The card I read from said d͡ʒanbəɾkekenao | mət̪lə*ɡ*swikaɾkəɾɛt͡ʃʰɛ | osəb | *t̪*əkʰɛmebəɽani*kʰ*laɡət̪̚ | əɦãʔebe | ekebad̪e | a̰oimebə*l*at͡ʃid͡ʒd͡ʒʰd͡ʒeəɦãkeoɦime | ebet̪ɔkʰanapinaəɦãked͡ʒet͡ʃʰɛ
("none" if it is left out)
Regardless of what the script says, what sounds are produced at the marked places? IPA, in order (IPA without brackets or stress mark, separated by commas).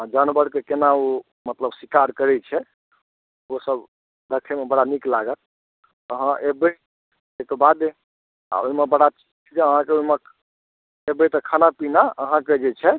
b, d̪, k, ɽ